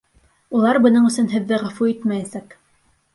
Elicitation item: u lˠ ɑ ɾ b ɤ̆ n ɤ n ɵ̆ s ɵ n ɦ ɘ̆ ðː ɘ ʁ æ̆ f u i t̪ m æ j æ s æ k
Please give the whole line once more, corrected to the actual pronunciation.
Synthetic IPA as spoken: u lˠ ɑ ɾ b ɤ̆ n ɤ ɴ ɵ̆ s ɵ n ɦ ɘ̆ ðː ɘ ʁ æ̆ f u i t̪ m æ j æ s æ k